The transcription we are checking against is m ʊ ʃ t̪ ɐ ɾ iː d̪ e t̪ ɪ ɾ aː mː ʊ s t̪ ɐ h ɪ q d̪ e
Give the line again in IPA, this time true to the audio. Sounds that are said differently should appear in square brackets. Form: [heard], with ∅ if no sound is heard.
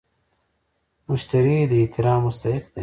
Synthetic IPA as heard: m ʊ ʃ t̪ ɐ ɾ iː d̪ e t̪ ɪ ɾ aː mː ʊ s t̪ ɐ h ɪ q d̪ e